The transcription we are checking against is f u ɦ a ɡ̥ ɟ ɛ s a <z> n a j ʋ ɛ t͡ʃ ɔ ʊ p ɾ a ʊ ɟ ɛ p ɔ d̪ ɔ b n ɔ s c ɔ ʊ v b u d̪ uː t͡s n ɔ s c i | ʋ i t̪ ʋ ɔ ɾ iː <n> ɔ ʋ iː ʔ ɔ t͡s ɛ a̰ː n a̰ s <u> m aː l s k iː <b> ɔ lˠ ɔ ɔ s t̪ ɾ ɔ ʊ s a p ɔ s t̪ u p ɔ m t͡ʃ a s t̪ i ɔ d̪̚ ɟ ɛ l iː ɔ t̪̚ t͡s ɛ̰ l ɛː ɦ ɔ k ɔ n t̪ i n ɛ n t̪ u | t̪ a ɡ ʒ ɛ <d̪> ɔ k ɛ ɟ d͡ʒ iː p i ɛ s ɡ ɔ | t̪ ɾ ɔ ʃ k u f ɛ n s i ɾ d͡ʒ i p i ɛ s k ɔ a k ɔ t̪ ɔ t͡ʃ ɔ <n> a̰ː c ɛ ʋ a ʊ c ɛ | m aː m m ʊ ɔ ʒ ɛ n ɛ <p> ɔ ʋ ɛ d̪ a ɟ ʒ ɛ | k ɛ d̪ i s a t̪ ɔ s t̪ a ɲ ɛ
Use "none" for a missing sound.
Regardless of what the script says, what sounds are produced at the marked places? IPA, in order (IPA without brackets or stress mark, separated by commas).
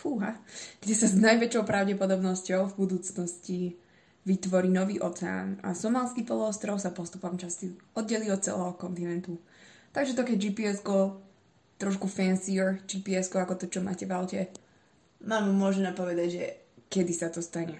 z, n, ɔ, p, t̪, m, p